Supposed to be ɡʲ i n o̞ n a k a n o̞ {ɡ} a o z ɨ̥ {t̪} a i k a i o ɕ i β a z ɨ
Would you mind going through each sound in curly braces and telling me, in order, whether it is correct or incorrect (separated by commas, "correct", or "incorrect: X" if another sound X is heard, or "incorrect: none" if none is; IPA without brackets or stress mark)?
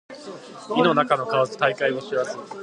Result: incorrect: k, correct